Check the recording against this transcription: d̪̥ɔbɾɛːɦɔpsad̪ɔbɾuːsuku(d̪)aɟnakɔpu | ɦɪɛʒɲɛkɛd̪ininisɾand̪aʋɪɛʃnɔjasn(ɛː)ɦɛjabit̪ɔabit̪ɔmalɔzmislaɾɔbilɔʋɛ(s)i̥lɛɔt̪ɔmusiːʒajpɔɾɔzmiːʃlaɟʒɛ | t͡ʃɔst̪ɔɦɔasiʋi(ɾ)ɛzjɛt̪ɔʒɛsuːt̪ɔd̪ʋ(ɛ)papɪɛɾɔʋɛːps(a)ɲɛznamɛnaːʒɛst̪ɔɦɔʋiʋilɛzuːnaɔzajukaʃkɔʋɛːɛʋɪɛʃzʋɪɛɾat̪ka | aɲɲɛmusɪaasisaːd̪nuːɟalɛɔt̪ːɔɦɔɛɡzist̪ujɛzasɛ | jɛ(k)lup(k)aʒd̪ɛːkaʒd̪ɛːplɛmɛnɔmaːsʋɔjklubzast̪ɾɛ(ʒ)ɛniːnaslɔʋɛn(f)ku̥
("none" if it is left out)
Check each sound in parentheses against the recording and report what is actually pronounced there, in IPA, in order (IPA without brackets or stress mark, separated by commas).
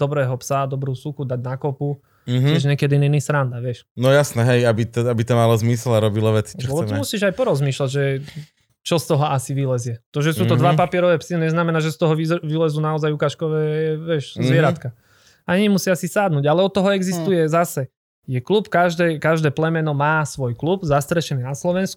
d̪, ɛ, t͡s, l, a, i, k, k, ʃ, s